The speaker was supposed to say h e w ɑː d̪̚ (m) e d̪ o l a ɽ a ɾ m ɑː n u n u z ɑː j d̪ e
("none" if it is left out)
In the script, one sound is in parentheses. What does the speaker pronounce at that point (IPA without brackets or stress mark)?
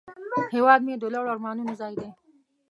m